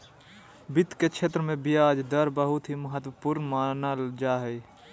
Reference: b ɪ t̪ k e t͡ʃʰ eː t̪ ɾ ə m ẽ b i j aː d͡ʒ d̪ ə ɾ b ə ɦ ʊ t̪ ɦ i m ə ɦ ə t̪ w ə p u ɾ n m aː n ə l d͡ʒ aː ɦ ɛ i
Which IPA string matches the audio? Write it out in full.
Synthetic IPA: b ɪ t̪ k e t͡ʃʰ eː t̪ ɾ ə m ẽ b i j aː d͡ʒ d̪ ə ɾ b ə ɦ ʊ t̪ ɦ i m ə ɦ ə t̪ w ə p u ɾ n m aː n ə l d͡ʒ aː ɦ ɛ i